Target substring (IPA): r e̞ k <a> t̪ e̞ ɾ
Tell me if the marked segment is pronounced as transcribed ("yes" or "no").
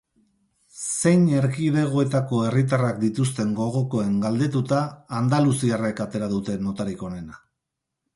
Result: yes